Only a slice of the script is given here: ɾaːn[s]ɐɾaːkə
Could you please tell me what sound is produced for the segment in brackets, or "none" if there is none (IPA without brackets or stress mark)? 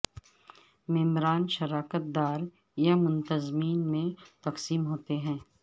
ʃ